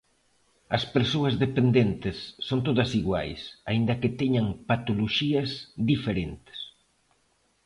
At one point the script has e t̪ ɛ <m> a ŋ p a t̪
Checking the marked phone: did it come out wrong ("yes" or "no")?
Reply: yes